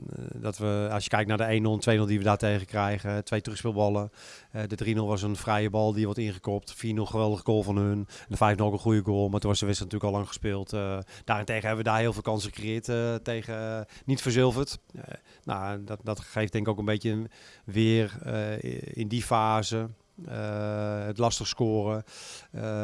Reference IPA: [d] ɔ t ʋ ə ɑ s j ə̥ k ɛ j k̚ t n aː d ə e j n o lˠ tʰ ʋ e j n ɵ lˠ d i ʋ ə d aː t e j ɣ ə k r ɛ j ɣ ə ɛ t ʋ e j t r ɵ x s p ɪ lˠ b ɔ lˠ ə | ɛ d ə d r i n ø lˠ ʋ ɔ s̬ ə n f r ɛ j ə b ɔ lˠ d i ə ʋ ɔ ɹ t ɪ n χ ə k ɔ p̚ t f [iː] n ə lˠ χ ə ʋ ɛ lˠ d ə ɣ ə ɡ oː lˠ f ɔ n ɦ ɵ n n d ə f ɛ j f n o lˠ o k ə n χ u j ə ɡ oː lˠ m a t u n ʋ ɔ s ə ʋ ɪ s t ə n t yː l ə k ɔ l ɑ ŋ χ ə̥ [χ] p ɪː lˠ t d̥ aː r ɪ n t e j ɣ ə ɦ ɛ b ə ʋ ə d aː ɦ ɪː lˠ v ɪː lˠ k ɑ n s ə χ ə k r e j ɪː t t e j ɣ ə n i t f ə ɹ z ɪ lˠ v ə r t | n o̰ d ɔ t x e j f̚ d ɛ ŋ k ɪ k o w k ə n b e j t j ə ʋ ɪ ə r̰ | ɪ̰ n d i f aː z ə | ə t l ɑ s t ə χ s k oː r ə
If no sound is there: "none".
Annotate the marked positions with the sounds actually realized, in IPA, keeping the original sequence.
d, iː, s

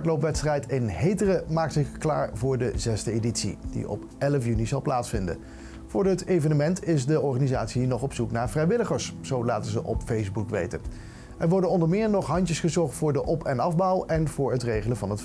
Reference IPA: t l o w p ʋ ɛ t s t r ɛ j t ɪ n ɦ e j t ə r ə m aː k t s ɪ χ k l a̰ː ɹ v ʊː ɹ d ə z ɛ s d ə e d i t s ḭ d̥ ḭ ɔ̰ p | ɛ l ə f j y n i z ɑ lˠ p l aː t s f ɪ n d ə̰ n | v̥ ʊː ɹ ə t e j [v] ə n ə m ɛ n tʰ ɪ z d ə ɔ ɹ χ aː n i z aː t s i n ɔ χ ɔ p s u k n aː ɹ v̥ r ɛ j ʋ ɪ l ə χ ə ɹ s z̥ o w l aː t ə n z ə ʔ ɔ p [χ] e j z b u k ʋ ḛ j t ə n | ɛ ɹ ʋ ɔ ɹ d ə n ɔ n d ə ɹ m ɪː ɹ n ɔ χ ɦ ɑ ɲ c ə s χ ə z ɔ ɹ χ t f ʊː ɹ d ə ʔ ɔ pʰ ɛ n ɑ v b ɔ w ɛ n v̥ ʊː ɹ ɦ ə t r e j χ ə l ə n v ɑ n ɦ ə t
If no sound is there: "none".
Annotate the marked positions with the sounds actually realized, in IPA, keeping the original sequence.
v, f

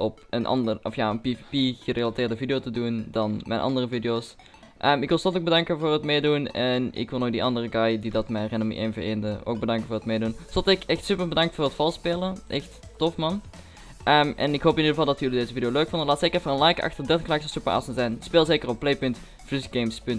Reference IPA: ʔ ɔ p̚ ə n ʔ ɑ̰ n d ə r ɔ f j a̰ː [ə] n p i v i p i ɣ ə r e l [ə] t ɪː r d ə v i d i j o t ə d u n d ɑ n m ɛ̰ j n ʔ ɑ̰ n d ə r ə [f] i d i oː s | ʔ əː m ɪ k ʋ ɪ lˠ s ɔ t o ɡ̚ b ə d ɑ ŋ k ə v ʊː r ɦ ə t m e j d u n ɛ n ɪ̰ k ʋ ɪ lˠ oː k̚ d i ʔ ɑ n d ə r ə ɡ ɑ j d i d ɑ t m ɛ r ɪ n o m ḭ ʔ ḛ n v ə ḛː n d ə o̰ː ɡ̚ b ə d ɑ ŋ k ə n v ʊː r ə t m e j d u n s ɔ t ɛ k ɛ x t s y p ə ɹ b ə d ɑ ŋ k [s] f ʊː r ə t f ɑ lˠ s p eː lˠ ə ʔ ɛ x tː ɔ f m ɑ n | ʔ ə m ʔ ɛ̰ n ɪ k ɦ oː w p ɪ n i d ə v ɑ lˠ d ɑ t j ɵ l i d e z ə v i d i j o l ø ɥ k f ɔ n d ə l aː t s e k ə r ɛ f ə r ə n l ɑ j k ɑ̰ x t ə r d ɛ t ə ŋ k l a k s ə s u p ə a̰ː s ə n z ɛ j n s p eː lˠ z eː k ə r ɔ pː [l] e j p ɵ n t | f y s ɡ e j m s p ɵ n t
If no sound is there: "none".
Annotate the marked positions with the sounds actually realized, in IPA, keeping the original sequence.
ə, a, v, t, l

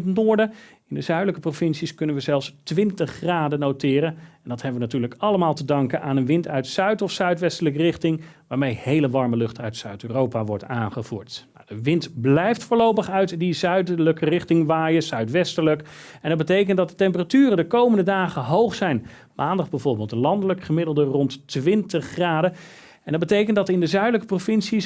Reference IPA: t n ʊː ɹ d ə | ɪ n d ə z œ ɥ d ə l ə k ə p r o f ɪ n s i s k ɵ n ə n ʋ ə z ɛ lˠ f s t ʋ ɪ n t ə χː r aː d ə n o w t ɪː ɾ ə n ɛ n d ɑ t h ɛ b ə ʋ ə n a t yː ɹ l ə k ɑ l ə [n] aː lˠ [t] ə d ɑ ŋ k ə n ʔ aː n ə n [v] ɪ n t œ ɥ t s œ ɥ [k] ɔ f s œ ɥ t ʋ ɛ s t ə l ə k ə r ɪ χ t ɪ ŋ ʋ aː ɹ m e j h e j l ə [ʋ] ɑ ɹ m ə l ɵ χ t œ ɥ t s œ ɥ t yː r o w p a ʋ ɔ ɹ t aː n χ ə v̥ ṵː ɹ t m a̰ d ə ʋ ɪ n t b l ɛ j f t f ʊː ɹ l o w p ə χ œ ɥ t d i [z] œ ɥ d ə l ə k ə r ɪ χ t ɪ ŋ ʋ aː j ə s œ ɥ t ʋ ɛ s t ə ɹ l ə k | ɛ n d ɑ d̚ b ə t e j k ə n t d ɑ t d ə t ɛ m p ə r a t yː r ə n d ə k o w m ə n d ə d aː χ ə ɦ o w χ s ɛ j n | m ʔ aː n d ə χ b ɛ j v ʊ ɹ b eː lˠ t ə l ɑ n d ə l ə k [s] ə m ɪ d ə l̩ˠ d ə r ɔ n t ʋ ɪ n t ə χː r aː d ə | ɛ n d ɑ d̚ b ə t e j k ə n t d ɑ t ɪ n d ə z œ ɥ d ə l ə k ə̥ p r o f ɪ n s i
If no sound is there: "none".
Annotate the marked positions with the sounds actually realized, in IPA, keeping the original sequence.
m, t, ʋ, t, ʋ, z, χ

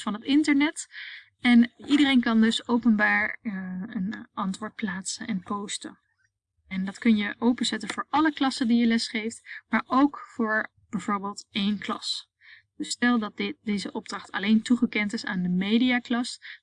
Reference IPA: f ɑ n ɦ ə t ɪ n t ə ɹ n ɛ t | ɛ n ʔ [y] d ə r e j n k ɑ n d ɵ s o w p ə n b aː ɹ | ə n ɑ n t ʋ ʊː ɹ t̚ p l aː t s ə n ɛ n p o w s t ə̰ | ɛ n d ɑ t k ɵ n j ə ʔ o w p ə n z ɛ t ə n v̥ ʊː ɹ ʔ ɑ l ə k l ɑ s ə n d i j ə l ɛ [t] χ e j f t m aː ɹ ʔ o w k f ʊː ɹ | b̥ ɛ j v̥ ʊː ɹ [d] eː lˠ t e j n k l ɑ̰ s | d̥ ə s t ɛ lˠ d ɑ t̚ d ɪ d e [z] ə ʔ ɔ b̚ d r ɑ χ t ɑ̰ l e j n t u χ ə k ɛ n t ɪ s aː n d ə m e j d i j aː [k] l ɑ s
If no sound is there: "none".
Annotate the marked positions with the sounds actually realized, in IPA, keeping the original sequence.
i, s, b, z, k

